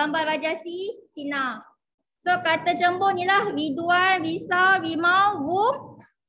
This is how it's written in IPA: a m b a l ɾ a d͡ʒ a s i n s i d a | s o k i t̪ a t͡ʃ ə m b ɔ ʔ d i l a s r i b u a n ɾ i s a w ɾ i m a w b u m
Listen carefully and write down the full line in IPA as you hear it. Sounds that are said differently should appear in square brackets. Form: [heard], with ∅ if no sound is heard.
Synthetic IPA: a m b a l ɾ a d͡ʒ a s i [∅] s i [n] a | s o k [a] t̪ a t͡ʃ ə m b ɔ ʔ [n] i l a [h] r i [d] u a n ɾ i s a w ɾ i m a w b u m